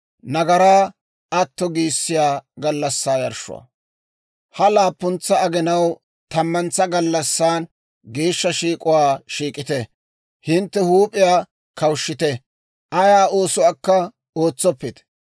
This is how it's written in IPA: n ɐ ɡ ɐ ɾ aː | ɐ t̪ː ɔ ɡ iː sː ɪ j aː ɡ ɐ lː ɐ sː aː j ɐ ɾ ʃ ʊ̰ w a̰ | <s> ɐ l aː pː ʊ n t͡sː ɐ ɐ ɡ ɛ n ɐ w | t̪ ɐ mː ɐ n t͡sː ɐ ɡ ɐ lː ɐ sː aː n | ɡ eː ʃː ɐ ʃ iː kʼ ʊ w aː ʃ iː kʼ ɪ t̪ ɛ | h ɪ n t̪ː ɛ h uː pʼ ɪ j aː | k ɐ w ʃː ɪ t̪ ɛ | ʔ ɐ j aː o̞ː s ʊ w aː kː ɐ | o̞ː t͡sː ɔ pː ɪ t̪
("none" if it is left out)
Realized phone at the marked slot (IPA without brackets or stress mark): h